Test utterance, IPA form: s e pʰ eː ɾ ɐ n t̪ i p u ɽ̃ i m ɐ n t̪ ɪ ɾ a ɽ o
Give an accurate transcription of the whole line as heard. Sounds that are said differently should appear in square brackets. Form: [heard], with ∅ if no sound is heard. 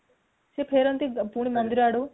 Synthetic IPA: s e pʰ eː ɾ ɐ n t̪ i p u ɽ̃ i m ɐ n [d̪] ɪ ɾ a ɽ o